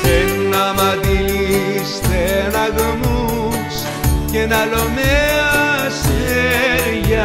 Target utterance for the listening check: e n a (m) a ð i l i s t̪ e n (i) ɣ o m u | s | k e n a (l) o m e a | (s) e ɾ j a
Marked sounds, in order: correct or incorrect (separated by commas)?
correct, incorrect, correct, correct